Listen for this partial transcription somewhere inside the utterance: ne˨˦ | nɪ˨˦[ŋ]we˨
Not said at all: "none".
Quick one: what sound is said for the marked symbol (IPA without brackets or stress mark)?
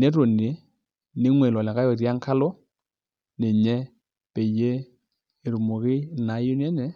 ŋ